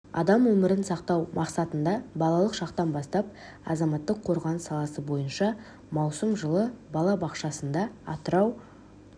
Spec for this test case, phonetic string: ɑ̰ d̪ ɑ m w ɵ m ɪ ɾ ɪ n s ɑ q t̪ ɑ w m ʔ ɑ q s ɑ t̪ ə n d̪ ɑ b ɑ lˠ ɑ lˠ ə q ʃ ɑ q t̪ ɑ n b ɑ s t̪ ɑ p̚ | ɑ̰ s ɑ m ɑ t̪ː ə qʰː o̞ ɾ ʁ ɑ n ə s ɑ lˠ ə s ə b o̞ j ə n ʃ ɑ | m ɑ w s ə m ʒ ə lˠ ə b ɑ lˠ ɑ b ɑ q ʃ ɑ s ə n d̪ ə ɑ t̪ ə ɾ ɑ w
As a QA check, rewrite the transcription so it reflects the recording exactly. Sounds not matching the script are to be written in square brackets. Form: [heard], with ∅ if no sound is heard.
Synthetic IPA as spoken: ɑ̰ d̪ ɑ m w ɵ m ɪ ɾ ɪ n s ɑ q t̪ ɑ w m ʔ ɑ q s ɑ t̪ ə n d̪ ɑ b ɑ lˠ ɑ lˠ ə q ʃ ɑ q t̪ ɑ n b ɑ s t̪ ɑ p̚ | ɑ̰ [z] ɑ m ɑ t̪ː ə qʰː o̞ ɾ ʁ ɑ n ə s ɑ lˠ [ɑ] s ə b o̞ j ə n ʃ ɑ | m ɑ w s ə m ʒ ə lˠ ə b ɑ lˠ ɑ b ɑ q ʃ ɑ s ə n d̪ [ɑ] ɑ t̪ ə ɾ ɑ w

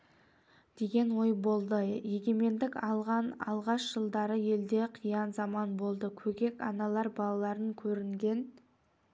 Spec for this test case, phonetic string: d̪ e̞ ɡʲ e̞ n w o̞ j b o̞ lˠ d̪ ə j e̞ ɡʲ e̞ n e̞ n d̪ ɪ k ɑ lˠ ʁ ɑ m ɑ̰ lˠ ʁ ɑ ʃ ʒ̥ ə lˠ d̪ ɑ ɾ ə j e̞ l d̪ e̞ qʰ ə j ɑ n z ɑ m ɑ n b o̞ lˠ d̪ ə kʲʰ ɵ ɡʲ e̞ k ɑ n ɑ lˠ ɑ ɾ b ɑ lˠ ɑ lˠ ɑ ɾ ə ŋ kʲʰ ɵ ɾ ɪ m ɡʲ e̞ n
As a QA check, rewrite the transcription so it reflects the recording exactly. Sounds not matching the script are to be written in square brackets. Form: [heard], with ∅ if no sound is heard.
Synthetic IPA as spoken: d̪ e̞ ɡʲ e̞ n w o̞ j b o̞ lˠ d̪ ə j e̞ ɡʲ e̞ [m] e̞ n d̪ ɪ k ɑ lˠ ʁ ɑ [n] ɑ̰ lˠ ʁ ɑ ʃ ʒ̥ ə lˠ d̪ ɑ ɾ ə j e̞ l d̪ e̞ qʰ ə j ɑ n z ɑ m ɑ n b o̞ lˠ d̪ ə kʲʰ ɵ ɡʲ e̞ k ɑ n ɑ lˠ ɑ ɾ b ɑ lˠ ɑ lˠ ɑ ɾ ə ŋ kʲʰ ɵ ɾ ɪ [ŋ] ɡʲ e̞ n

